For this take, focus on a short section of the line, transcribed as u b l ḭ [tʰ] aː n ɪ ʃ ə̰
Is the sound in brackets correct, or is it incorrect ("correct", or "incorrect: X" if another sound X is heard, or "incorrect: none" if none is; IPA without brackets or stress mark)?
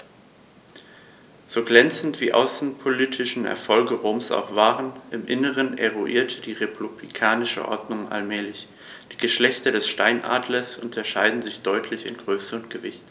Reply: incorrect: kʰ